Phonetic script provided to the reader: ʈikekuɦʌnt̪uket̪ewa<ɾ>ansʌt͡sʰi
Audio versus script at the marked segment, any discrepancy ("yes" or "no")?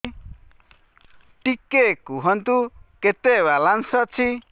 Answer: yes